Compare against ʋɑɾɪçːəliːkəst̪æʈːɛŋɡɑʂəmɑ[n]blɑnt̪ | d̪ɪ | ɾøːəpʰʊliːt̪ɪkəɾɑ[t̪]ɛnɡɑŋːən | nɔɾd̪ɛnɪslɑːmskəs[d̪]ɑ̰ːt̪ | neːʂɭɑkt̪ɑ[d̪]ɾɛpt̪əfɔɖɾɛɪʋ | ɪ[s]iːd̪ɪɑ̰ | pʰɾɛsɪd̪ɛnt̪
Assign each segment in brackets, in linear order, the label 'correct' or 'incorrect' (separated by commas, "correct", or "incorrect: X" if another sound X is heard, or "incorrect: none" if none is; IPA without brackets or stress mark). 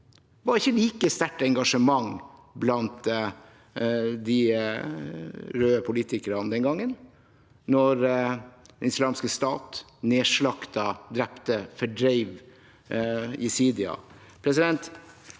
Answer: incorrect: ŋ, incorrect: d̪, incorrect: t̪, correct, correct